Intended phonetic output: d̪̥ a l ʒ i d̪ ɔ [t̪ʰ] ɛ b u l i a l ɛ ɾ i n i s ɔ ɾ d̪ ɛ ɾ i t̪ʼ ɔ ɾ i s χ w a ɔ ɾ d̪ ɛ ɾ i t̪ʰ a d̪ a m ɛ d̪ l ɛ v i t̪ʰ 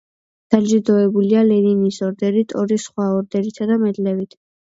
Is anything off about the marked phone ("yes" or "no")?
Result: yes